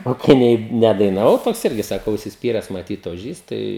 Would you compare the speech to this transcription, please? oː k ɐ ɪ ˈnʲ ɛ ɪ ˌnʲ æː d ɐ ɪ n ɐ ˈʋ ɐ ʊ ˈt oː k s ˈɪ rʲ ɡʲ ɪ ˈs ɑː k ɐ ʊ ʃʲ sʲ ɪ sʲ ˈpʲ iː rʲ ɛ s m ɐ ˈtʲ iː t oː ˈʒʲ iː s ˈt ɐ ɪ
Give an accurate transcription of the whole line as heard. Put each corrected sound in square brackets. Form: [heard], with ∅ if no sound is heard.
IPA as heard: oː k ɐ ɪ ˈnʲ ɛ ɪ ˌnʲ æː d ɐ ɪ n ɐ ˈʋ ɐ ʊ ˈt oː k s ˈɪ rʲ ɡʲ ɪ ˈs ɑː k ɐ ʊ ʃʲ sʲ ɪ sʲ ˈpʲ iː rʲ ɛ s m ɐ ˈtʲ iː t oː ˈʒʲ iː s ˈt ɐ ɪ

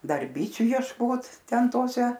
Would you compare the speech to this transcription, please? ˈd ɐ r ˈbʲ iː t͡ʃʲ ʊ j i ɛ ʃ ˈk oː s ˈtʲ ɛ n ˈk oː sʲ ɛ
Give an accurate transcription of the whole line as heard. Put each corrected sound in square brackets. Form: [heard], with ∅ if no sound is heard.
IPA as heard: ˈd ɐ r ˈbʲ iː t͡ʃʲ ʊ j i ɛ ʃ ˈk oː [t] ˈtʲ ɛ n [ˈt] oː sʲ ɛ

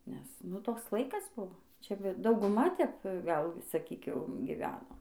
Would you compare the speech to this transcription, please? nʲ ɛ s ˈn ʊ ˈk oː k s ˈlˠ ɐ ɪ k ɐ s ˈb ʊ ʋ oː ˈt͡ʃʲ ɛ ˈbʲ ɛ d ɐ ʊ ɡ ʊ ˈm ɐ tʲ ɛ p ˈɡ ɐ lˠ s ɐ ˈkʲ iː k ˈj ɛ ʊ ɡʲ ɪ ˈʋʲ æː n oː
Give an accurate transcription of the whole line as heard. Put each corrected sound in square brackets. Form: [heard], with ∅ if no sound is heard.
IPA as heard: nʲ ɛ s ˈn ʊ [ˈt] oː k s ˈlˠ ɐ ɪ k ɐ s ˈb ʊ ʋ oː ˈt͡ʃʲ ɛ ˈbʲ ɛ d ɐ ʊ ɡ ʊ ˈm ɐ tʲ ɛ p ˈɡ ɐ lˠ s ɐ ˈkʲ iː k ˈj ɛ ʊ ɡʲ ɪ ˈʋʲ æː n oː

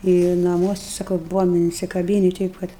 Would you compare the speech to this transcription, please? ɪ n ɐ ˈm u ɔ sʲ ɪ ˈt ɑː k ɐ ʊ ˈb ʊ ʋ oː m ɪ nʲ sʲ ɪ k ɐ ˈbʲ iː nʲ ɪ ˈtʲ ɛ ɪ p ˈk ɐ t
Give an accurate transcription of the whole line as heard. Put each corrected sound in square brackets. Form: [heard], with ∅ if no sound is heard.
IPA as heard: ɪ n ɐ ˈm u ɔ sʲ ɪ [ˈs] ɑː k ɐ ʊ ˈb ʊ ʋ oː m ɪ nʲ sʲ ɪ k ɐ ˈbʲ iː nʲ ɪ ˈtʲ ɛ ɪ p ˈk ɐ t

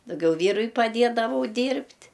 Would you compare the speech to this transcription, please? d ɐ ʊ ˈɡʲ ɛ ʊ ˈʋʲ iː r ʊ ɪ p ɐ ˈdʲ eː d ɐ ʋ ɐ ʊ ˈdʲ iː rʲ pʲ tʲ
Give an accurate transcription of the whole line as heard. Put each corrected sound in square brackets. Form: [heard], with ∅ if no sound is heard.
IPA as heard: d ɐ ʊ ˈɡʲ ɛ ʊ ˈʋʲ iː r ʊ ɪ p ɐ ˈdʲ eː d ɐ ʋ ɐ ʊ ˈdʲ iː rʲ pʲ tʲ

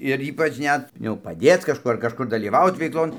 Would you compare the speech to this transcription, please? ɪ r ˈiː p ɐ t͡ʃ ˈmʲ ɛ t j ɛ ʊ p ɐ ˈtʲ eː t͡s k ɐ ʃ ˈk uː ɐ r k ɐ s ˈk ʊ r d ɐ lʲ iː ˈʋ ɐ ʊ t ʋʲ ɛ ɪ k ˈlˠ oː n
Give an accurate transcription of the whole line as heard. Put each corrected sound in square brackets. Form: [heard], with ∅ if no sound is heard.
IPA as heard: ɪ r ˈiː p ɐ t͡ʃ [ˈnʲ] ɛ t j ɛ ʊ p ɐ [ˈdʲ] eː t͡s k ɐ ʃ ˈk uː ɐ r k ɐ [ʃ] ˈk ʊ r d ɐ lʲ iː ˈʋ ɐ ʊ t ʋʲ ɛ ɪ k ˈlˠ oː n

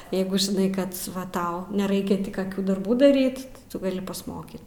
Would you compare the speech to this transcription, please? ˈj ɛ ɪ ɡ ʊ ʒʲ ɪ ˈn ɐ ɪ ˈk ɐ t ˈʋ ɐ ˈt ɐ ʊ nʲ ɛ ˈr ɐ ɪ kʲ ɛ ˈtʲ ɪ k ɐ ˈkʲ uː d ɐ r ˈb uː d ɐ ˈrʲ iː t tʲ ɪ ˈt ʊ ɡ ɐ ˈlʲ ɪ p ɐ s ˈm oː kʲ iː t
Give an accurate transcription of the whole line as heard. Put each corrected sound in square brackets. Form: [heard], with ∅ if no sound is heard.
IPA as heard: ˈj ɛ ɪ ɡ ʊ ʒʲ ɪ ˈn ɐ ɪ ˈk ɐ t ˈʋ ɐ ˈt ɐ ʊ nʲ ɛ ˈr ɐ ɪ kʲ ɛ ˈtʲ ɪ k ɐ ˈkʲ uː d ɐ r ˈb uː d ɐ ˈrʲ iː t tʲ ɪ ˈt ʊ ɡ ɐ ˈlʲ ɪ p ɐ s ˈm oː kʲ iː t

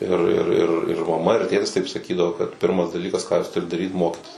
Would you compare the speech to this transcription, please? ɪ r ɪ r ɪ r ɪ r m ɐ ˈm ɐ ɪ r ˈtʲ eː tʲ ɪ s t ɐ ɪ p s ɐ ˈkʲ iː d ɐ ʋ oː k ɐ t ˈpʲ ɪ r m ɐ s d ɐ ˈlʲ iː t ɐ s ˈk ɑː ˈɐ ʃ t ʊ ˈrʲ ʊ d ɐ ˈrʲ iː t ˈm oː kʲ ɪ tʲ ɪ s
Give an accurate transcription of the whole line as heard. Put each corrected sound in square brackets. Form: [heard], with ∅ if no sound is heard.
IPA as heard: ɪ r ɪ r ɪ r ɪ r m ɐ ˈm ɐ ɪ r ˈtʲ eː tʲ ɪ s t ɐ ɪ p s ɐ ˈkʲ iː d ɐ ʋ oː k ɐ t ˈpʲ ɪ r m ɐ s d ɐ ˈlʲ iː [k] ɐ s ˈk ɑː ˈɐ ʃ t ʊ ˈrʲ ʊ d ɐ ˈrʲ iː t ˈm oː kʲ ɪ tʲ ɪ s

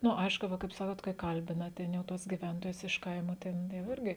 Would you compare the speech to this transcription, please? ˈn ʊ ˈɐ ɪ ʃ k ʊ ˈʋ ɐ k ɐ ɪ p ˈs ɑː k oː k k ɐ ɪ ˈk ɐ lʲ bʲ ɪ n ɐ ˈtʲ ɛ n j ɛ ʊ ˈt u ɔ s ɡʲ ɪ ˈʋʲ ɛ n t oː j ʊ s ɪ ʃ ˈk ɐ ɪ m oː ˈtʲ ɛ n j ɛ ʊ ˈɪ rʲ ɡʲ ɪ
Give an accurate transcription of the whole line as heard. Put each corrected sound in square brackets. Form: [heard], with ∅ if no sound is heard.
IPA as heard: ˈn ʊ ˈɐ ɪ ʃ k ʊ ˈʋ ɐ k ɐ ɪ p ˈs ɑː k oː [t] k ɐ ɪ ˈk ɐ lʲ bʲ ɪ n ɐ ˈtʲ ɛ n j ɛ ʊ ˈt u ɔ s ɡʲ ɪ ˈʋʲ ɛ n t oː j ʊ s ɪ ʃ ˈk ɐ ɪ m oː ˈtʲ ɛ n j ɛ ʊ ˈɪ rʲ ɡʲ ɪ

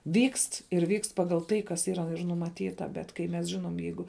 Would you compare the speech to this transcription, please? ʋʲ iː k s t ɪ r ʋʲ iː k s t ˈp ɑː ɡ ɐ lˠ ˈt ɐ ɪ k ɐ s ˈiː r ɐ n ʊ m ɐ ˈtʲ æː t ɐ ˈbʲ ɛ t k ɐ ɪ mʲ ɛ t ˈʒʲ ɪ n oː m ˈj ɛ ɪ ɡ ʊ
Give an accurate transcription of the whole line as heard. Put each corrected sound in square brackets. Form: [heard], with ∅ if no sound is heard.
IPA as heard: ʋʲ iː k s t ɪ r ʋʲ iː k s t ˈp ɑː ɡ ɐ lˠ ˈt ɐ ɪ k ɐ s ˈiː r ɐ n ʊ m ɐ ˈtʲ [iː] t ɐ ˈbʲ ɛ t k ɐ ɪ mʲ ɛ [s] ˈʒʲ ɪ n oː m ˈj ɛ ɪ ɡ ʊ

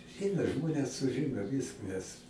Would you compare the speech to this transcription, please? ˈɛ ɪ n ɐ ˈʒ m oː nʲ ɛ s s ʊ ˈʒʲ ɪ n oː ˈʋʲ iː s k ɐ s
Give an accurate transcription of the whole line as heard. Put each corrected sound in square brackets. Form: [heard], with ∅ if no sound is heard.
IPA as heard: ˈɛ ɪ n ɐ ˈʒ m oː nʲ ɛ s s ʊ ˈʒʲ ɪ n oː ˈʋʲ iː s k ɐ s

